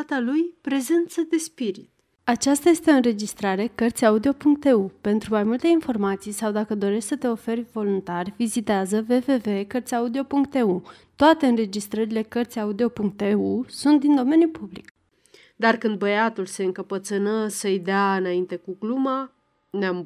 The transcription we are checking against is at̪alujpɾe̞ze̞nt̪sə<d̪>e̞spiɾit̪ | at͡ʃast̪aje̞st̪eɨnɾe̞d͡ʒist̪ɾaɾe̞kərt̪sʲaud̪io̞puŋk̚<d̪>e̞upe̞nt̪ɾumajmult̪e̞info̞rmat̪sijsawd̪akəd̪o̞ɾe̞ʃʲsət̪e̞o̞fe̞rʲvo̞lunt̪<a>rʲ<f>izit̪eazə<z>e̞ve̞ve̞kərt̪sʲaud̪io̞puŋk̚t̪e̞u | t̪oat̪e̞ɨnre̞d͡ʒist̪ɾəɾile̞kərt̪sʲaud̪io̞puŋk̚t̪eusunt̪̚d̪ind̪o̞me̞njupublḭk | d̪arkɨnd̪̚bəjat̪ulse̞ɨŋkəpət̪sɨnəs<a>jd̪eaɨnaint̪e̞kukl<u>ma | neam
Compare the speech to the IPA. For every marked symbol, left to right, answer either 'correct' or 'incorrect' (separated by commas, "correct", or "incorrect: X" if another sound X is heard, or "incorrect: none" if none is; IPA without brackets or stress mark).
correct, incorrect: t̪, correct, incorrect: v, incorrect: v, incorrect: ə, correct